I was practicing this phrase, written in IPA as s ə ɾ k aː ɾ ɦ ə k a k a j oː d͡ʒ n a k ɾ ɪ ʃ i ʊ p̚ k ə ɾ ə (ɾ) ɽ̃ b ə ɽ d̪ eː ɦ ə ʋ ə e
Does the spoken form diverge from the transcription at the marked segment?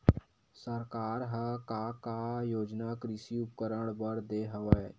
yes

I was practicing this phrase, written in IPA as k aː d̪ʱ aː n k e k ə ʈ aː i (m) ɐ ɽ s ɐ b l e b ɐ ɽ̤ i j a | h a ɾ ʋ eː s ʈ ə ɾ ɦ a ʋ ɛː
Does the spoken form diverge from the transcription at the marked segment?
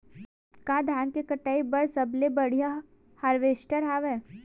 yes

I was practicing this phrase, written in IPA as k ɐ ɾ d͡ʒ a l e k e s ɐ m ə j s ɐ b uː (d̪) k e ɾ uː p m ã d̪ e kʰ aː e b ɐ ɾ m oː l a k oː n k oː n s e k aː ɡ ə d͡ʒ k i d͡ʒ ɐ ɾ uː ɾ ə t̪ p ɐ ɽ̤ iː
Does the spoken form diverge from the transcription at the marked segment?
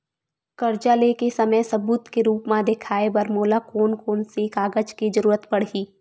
yes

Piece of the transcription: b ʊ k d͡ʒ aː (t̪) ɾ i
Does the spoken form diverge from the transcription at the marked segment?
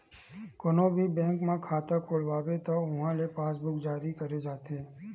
yes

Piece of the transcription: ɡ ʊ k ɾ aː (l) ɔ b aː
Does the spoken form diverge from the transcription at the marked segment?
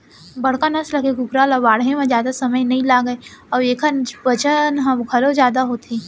no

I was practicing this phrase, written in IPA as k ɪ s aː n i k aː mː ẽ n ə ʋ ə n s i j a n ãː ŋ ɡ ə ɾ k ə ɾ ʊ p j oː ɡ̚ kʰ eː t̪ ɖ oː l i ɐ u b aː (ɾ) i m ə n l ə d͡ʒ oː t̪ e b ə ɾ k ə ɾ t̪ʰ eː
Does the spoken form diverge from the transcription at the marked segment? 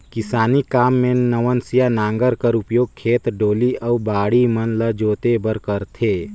yes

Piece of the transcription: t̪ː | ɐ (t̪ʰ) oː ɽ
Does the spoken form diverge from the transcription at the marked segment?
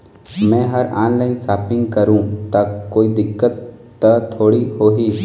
no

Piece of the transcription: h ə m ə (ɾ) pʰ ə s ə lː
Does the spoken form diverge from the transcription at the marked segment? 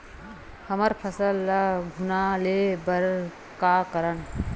no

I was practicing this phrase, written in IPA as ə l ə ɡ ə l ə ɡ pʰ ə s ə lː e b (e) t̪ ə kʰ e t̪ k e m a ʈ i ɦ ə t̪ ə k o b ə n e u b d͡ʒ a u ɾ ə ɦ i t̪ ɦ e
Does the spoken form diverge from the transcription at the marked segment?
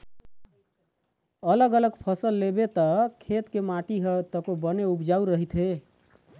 no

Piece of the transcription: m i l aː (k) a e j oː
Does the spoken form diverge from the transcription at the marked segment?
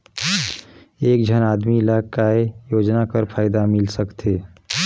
no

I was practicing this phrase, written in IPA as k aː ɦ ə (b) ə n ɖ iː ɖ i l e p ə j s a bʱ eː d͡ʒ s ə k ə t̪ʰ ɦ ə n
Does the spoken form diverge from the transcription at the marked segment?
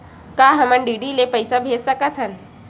yes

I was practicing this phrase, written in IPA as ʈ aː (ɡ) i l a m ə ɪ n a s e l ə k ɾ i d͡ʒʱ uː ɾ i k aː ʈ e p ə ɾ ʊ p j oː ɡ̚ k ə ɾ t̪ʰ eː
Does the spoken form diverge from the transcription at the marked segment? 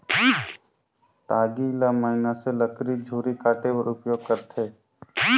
no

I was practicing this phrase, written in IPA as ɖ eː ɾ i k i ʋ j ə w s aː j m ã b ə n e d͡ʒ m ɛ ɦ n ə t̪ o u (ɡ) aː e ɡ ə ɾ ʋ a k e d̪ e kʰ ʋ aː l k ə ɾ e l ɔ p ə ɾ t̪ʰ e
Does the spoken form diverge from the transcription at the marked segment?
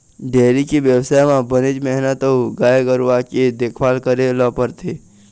no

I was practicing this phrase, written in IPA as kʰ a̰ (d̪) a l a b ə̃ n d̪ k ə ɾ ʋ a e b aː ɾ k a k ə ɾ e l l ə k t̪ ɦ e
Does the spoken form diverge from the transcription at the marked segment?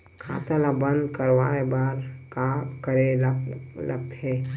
yes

